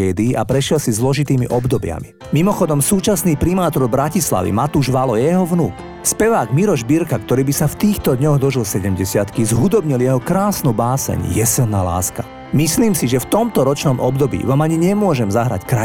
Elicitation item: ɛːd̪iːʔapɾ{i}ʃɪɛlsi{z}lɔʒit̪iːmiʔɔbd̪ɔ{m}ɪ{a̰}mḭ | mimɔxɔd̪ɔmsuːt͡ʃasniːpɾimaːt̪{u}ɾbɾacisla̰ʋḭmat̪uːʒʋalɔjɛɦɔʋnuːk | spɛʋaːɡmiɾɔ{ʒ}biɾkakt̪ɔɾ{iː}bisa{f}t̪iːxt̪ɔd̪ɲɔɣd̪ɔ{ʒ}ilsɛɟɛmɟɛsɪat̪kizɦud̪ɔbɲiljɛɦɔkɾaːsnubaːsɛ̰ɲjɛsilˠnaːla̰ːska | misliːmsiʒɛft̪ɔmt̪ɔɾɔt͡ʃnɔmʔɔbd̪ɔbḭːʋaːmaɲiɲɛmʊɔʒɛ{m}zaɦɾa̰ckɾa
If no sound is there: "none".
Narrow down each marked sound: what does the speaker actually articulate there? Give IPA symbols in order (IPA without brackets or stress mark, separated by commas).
ɛ, z, b, a̰, ɔ, ʒ, iː, f, ʒ, m